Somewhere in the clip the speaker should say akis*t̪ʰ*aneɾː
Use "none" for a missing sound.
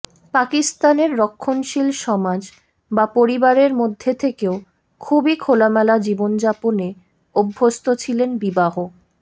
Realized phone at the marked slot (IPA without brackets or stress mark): t̪